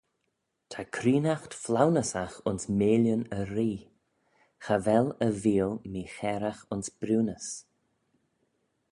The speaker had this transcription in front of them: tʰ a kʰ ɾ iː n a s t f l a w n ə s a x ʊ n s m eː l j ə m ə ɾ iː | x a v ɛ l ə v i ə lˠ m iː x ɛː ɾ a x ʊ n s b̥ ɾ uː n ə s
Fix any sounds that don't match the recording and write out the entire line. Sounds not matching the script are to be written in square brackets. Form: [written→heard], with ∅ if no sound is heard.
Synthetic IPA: tʰ a kʰ ɾ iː n a [s→x] t f l a w n ə s a x ʊ n s m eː l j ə [m→n] ə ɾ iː | x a v ɛ l ə v [i→iː] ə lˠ m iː x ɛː ɾ a x ʊ n s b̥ ɾ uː n ə s